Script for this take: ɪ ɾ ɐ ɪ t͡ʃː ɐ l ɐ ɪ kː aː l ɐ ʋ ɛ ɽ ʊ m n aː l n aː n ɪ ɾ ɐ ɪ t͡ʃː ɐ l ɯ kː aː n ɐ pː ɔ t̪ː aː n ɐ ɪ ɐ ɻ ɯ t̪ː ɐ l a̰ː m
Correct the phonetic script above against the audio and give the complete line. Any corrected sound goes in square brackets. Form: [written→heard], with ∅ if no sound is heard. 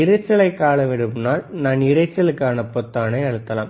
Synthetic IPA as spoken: ɪ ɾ ɐ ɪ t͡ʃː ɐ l ɐ ɪ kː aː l ɐ ʋ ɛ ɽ [ʊ→ɯ] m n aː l n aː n ɪ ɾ ɐ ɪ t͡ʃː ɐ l ɯ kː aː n ɐ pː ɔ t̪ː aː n ɐ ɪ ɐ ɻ ɯ t̪ː ɐ l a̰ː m